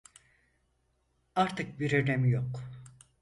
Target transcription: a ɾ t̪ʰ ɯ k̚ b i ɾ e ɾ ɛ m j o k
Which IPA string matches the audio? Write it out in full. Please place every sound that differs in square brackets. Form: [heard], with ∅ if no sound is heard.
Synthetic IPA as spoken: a ɾ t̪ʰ ɯ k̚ b i ɾ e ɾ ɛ m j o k